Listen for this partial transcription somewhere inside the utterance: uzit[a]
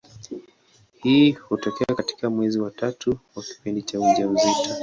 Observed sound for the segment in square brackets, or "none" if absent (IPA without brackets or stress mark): a